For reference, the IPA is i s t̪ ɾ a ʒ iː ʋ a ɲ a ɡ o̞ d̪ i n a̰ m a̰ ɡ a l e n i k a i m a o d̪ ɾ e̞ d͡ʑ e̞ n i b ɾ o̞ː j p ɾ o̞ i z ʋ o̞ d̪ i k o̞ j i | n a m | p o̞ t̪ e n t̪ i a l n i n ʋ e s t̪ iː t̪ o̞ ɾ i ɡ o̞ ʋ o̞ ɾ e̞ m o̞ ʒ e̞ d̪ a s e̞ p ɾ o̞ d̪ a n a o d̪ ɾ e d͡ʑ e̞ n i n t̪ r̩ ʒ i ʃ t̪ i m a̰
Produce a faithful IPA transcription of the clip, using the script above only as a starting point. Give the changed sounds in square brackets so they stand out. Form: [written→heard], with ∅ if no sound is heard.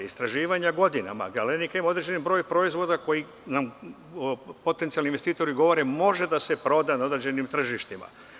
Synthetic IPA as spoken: i s t̪ ɾ a ʒ iː ʋ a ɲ a ɡ o̞ d̪ i n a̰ m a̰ ɡ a l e n i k a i m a o d̪ ɾ e̞ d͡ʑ e̞ n i b ɾ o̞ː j p ɾ o̞ i z ʋ o̞ d̪ [i→a] k o̞ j i | n a m | p o̞ t̪ e n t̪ i a l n i n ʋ e s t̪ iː t̪ o̞ ɾ i ɡ o̞ ʋ o̞ ɾ e̞ m o̞ ʒ e̞ d̪ a s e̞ p ɾ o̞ d̪ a n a o d̪ ɾ e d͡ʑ e̞ n i [n→m] t̪ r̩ ʒ i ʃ t̪ i m a̰